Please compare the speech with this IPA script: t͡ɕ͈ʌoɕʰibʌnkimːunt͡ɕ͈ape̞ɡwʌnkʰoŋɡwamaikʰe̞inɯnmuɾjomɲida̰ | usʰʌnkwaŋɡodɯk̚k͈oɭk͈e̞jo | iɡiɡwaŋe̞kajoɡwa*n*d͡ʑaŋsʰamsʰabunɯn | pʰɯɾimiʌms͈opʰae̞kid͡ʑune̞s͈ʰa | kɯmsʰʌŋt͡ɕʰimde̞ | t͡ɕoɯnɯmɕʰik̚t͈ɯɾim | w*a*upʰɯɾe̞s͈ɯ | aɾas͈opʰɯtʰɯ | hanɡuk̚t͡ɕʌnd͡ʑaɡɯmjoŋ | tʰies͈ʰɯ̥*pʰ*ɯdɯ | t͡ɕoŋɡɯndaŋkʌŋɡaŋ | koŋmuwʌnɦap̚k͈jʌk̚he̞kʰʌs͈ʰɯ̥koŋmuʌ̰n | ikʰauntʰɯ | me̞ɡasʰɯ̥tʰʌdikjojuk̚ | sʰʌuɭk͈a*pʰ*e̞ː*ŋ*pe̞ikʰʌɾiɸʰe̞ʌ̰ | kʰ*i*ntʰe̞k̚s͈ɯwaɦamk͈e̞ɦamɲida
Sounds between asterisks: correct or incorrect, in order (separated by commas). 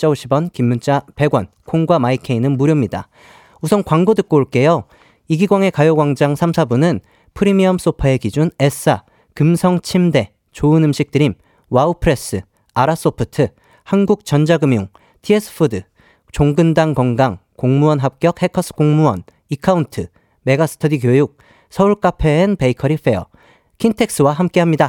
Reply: incorrect, correct, correct, correct, incorrect, correct